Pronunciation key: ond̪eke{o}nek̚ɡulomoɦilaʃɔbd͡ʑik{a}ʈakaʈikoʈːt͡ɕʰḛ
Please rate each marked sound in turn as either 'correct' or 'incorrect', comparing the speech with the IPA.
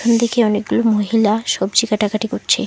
incorrect: ɔ, correct

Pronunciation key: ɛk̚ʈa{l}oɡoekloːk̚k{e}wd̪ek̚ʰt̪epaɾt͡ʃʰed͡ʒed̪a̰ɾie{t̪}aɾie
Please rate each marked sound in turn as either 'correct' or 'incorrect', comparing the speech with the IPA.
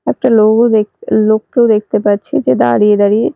correct, correct, incorrect: d̪

